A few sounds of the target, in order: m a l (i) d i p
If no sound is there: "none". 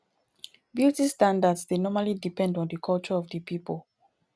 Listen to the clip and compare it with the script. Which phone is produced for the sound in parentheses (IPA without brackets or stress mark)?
i